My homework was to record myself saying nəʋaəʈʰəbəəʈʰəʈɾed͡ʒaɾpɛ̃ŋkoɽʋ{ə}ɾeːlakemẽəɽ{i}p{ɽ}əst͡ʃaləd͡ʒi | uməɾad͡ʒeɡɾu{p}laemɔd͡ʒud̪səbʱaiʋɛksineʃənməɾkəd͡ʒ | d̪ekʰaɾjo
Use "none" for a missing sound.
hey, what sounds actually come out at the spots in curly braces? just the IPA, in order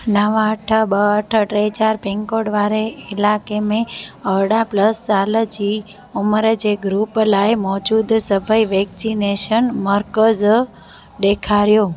a, a, l, p

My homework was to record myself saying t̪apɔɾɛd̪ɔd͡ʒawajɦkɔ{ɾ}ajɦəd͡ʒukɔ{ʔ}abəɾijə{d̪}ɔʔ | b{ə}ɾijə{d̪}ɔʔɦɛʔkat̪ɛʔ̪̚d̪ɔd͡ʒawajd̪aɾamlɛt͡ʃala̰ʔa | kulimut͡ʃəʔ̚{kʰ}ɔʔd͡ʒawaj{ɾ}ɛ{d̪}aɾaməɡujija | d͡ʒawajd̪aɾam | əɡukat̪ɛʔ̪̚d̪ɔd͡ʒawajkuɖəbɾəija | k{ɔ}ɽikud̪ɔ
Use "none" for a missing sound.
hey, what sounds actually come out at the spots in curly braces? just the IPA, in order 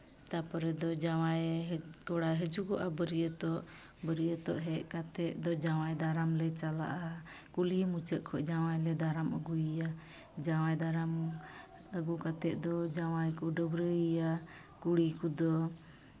ɽ, ʔ, t̪, ə, t̪, kʰ, l, d̪, u

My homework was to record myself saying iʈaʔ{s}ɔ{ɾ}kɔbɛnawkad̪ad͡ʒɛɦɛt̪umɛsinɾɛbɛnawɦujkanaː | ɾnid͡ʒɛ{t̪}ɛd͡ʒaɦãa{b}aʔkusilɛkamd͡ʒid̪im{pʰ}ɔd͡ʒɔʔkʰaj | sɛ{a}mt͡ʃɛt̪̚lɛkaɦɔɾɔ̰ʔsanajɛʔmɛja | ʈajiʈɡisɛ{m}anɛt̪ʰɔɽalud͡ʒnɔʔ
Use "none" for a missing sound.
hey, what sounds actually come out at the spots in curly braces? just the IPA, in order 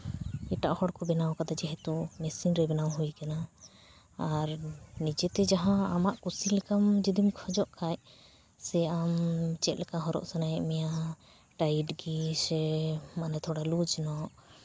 h, ɽ, t̪, m, kʰ, a, m

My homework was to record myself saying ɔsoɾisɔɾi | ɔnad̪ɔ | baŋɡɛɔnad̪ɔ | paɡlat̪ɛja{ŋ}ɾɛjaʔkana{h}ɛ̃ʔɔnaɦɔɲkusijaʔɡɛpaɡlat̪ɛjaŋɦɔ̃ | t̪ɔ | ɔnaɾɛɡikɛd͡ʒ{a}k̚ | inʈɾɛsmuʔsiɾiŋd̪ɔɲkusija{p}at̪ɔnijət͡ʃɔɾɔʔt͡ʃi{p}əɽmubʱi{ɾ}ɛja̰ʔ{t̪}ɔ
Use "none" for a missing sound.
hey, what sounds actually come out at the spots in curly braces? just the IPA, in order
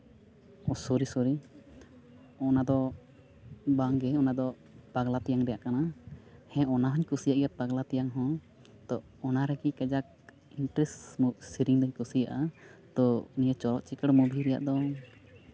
ŋ, h, a, ʔ, k, ɾ, d̪

